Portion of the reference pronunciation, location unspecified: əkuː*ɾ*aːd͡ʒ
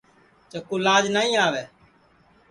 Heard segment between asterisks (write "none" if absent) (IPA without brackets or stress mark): l